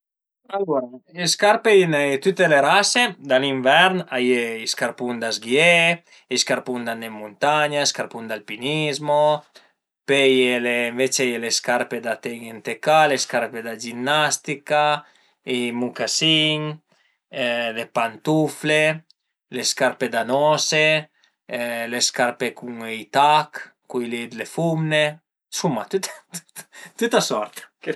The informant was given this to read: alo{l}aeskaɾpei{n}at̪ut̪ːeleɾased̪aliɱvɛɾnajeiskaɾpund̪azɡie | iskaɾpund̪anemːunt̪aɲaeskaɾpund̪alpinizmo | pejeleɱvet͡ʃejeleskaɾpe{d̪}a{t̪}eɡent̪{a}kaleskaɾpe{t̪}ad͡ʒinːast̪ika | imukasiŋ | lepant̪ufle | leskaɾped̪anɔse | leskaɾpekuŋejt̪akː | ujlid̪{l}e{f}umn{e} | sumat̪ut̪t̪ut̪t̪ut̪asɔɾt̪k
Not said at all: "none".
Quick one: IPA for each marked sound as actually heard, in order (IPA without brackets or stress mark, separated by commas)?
ɾ, n, d̪, t̪, e, d̪, l, f, e